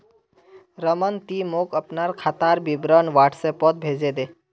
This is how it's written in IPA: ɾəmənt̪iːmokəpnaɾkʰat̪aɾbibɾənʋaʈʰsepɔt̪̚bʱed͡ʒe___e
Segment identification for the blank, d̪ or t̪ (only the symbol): d̪